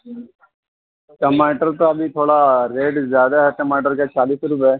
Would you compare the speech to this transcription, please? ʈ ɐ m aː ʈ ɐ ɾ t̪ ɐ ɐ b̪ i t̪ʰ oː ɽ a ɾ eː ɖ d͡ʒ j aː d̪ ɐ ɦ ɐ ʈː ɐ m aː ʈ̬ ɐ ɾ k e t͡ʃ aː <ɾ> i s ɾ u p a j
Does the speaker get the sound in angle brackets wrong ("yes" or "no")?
yes